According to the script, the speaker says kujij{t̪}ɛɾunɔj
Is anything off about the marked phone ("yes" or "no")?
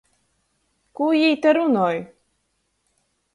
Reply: no